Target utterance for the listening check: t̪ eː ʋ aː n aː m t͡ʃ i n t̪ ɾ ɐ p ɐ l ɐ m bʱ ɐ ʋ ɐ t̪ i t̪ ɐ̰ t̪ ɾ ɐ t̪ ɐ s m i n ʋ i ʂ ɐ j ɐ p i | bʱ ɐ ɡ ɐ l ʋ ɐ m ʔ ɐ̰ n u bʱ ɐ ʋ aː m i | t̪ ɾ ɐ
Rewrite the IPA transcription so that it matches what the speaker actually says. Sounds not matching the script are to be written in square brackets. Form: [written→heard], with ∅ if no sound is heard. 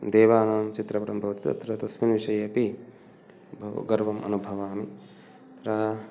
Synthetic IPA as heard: [t̪→d̪] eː ʋ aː n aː m t͡ʃ i [n→∅] t̪ ɾ ɐ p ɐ [l→ɾ] ɐ m bʱ ɐ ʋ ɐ t̪ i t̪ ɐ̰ t̪ ɾ ɐ t̪ ɐ s m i n ʋ i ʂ ɐ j ɐ p i | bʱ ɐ ɡ ɐ [l→ɾ] ʋ ɐ m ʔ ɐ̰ n u bʱ ɐ ʋ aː m i | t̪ ɾ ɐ